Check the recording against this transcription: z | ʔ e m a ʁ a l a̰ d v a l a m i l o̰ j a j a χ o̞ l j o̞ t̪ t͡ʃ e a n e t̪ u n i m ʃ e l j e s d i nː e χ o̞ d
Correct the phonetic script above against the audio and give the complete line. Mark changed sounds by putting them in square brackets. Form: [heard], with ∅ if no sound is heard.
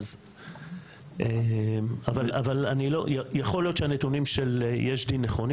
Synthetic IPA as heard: z | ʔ e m a [v] a l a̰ [∅] v a l a [n] i l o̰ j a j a χ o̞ l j o̞ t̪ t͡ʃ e a n e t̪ u n i m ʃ e l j e [ʃ] d i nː e χ o̞ [n]